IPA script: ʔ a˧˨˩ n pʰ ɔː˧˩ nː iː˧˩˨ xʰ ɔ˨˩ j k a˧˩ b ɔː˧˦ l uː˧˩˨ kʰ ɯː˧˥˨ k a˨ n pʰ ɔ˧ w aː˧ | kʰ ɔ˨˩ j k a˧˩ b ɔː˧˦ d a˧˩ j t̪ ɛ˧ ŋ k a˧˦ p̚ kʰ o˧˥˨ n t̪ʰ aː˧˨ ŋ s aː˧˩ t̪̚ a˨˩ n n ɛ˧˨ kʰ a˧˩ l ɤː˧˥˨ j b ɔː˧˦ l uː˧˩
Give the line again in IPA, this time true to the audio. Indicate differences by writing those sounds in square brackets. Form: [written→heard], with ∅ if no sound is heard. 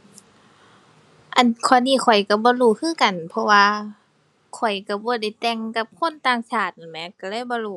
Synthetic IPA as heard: ʔ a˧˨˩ n [pʰ→kʰ] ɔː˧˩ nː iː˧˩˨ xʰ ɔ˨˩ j k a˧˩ b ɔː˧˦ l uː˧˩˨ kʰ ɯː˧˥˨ k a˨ n pʰ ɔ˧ w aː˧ | kʰ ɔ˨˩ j k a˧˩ b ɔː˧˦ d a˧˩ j t̪ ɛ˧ ŋ k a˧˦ p̚ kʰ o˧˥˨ n [t̪ʰ→t̪] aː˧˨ ŋ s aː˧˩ t̪̚ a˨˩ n [n→m] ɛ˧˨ [kʰ→k] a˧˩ l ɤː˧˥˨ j b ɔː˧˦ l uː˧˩